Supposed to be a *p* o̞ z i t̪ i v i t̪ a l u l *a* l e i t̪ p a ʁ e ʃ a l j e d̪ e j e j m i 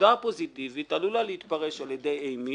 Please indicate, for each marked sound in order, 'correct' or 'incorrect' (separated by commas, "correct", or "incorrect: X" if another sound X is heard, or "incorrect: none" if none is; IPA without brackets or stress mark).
correct, correct